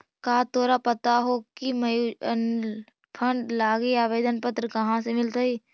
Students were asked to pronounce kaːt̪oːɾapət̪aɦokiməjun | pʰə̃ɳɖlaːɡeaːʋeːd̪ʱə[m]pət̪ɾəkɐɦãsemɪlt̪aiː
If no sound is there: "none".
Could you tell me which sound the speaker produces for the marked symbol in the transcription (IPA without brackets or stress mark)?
n